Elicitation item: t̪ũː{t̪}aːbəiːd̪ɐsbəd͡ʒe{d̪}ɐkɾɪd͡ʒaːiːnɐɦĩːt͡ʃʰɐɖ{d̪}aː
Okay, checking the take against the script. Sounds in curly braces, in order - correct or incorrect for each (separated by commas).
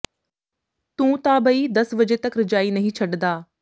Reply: correct, incorrect, correct